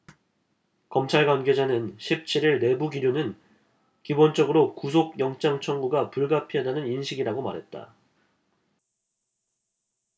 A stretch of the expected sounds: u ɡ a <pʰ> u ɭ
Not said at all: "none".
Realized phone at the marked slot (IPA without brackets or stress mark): p